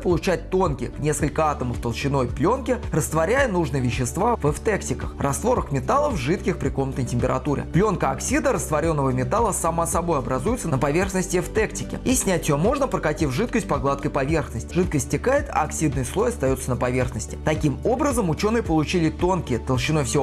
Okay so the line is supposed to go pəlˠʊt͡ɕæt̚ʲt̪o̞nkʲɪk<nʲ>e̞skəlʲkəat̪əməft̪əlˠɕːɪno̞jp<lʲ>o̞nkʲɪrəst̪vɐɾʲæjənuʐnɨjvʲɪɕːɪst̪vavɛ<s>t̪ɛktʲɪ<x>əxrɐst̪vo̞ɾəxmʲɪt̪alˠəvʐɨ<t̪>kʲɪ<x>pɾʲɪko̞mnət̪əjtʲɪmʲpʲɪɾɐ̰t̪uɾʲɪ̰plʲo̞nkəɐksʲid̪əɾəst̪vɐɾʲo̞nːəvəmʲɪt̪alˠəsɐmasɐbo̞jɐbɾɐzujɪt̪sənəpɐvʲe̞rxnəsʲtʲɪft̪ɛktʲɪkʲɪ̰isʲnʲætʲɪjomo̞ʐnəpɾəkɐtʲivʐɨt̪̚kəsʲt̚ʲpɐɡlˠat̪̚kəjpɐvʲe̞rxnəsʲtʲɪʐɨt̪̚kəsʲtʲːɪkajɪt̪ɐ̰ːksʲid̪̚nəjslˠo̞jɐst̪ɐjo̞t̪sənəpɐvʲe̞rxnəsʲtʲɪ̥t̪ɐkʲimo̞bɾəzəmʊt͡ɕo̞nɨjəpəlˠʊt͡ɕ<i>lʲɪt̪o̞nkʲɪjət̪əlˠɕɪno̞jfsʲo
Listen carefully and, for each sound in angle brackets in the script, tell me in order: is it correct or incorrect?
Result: correct, correct, incorrect, incorrect, correct, correct, correct

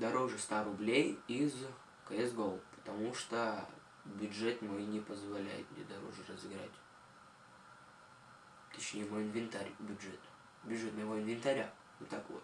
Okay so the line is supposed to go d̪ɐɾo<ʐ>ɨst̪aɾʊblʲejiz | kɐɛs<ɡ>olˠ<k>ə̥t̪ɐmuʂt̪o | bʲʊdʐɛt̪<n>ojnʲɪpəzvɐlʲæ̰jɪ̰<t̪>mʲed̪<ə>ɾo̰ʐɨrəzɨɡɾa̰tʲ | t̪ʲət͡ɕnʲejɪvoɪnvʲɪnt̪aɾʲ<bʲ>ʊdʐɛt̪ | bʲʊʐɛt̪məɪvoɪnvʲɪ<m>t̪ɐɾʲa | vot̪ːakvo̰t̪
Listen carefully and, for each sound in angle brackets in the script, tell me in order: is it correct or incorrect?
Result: correct, correct, incorrect, incorrect, correct, incorrect, correct, incorrect

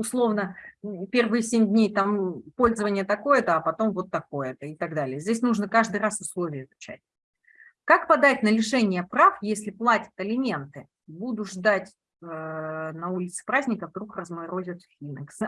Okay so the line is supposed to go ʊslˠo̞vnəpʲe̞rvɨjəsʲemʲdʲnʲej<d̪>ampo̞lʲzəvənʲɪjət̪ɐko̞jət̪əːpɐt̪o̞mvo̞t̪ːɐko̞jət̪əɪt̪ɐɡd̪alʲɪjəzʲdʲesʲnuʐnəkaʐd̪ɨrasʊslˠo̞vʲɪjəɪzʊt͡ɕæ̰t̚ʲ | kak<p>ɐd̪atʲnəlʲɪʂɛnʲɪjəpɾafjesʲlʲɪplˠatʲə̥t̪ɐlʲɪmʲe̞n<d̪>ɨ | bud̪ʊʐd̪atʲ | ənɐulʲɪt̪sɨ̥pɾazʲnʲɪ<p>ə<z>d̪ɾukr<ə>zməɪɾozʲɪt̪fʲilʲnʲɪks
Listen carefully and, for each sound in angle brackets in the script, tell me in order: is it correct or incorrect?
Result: incorrect, correct, incorrect, incorrect, incorrect, correct

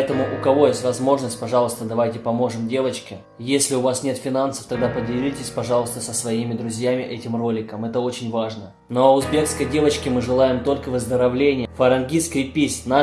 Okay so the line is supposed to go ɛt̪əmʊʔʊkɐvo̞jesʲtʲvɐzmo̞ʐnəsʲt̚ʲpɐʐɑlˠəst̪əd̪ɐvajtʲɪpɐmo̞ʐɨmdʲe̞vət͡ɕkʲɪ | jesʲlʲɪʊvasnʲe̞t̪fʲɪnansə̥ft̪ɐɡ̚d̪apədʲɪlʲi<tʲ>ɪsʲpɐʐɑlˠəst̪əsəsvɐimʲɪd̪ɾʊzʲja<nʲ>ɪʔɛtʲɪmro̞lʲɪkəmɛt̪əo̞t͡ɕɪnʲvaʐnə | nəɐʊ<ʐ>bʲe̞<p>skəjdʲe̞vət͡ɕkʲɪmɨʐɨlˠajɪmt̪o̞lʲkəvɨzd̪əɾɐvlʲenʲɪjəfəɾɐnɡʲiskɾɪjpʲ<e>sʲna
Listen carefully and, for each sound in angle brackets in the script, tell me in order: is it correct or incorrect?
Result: correct, incorrect, incorrect, incorrect, incorrect

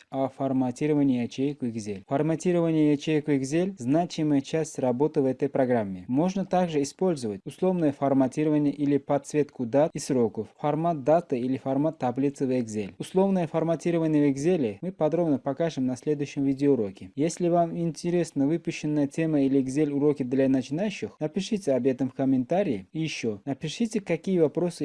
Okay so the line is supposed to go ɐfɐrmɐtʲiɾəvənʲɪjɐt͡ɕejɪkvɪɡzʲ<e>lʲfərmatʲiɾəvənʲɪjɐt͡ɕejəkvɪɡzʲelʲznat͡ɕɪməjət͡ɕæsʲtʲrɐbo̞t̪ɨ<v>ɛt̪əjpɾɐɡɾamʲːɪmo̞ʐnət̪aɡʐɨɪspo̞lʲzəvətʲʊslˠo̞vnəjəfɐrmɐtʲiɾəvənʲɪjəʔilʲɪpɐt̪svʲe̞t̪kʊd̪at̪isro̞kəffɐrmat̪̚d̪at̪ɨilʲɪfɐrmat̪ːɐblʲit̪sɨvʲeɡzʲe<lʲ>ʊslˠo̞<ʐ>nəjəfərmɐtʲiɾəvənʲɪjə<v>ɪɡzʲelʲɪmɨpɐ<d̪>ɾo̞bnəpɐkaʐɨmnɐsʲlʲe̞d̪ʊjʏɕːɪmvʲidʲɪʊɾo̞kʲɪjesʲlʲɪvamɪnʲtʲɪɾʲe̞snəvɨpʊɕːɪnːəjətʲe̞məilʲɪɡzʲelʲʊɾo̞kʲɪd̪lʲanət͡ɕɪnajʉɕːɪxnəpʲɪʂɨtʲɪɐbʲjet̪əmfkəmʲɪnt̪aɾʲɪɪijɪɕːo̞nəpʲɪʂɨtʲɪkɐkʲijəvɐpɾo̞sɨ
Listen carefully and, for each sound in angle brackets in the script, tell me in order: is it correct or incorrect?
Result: correct, correct, correct, incorrect, correct, correct

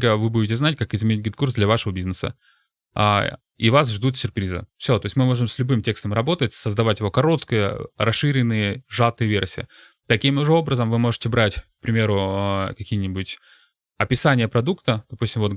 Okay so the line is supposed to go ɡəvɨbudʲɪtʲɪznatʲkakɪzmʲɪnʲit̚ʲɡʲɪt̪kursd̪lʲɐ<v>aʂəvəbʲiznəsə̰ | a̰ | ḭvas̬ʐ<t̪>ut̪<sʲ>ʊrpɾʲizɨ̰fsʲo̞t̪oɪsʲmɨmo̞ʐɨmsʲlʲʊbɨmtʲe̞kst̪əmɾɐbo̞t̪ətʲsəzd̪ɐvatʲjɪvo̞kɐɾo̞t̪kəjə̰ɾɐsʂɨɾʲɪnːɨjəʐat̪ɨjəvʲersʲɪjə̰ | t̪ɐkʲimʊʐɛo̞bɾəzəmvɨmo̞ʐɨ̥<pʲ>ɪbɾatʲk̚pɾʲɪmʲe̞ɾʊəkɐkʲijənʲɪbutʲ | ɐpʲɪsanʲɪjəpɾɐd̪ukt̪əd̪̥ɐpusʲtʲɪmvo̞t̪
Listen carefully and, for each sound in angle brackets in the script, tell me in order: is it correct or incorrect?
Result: correct, incorrect, correct, incorrect

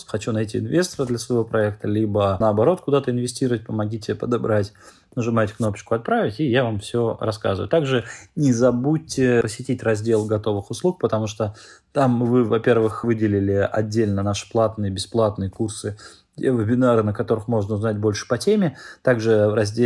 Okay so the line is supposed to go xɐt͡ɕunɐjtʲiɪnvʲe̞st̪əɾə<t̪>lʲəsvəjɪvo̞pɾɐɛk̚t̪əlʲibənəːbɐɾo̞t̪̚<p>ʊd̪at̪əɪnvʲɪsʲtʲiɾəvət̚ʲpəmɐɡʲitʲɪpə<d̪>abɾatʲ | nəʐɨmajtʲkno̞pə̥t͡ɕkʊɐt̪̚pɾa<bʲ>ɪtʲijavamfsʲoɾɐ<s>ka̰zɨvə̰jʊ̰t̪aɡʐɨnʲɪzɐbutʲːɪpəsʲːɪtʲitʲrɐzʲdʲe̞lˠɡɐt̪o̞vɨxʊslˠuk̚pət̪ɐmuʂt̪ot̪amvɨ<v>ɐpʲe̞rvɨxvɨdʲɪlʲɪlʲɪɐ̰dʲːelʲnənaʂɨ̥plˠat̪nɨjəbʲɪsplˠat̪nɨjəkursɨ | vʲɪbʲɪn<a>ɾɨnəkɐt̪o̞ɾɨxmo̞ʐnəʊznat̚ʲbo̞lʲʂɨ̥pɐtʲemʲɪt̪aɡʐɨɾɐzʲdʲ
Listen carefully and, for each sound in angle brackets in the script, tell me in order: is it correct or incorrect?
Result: incorrect, incorrect, correct, incorrect, correct, correct, correct

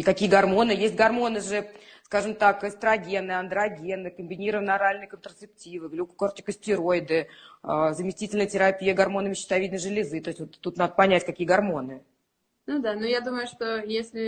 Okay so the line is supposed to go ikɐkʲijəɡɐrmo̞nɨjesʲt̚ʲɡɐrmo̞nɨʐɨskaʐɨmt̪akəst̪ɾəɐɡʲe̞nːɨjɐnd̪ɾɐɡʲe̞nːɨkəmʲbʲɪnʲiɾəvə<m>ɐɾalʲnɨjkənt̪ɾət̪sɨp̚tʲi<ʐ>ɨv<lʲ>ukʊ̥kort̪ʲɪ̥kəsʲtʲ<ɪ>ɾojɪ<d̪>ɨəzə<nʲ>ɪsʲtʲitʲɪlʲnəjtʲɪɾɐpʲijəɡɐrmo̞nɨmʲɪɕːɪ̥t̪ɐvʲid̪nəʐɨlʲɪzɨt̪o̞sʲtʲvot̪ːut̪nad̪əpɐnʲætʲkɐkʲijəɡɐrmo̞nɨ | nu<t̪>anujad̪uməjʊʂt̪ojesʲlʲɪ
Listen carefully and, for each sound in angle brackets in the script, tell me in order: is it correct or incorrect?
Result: incorrect, incorrect, correct, correct, correct, incorrect, incorrect

